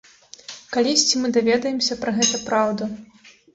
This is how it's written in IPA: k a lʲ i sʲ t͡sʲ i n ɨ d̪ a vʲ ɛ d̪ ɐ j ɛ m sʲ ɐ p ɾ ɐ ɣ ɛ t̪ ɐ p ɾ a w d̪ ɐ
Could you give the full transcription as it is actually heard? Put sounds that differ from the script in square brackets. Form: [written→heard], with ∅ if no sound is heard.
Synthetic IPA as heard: k a lʲ i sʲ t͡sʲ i [n→m] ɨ d̪ a vʲ ɛ d̪ ɐ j ɛ m sʲ ɐ p ɾ ɐ ɣ ɛ t̪ ɐ p ɾ a w d̪ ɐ